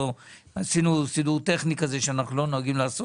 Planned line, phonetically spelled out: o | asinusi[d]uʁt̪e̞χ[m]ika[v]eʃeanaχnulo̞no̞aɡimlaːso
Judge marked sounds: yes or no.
yes, no, no

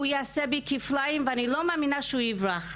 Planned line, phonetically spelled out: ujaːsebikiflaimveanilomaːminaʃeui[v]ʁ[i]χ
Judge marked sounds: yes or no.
yes, no

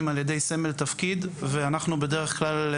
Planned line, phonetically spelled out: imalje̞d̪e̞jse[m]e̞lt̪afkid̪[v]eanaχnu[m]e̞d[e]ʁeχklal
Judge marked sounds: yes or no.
yes, yes, no, yes

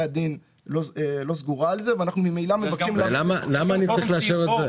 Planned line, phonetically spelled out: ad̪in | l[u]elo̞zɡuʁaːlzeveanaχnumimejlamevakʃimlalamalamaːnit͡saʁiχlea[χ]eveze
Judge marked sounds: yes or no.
no, no

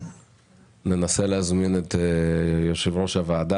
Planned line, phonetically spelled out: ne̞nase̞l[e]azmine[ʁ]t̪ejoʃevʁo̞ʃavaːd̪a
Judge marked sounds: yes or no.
yes, no

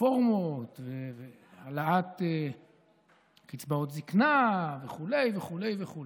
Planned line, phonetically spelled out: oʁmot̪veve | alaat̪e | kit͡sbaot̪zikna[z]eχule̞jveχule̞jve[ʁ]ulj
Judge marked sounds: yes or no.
no, no

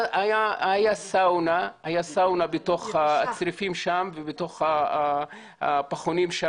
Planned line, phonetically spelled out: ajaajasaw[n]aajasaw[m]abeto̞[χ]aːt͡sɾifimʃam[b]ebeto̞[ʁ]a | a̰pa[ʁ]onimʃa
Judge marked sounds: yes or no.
yes, no, yes, no, no, no

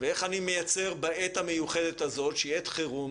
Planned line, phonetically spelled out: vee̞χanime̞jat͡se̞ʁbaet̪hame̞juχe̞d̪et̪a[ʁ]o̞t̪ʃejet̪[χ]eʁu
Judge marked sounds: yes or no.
no, yes

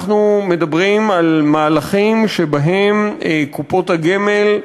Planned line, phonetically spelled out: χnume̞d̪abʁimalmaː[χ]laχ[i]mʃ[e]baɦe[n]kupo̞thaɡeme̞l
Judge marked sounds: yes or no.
no, yes, yes, no

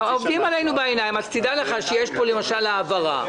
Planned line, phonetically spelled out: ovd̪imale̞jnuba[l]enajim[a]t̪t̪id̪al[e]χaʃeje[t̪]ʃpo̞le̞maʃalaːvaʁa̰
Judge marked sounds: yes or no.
no, yes, yes, no

